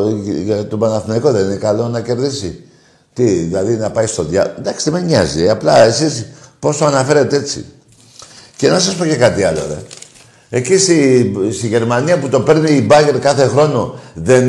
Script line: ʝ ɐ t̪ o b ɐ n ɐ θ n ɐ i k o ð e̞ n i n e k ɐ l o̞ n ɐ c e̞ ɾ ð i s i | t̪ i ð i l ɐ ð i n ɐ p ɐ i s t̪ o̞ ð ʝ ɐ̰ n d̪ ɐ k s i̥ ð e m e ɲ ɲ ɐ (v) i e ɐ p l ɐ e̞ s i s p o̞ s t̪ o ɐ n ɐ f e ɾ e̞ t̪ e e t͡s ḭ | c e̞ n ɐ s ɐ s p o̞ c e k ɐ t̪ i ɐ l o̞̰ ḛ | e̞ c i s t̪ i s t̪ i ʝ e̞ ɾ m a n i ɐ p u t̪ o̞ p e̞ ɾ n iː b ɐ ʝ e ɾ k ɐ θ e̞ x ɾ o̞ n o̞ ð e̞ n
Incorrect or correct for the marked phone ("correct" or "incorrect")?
incorrect